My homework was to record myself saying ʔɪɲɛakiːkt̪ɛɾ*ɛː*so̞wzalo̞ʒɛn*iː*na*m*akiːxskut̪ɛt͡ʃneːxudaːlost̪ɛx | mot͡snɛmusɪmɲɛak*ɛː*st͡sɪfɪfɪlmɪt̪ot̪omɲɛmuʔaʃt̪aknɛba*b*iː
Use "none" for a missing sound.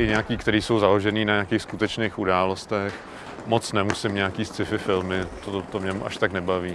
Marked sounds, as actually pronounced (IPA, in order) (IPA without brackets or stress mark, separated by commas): iː, iː, ɲ, iː, v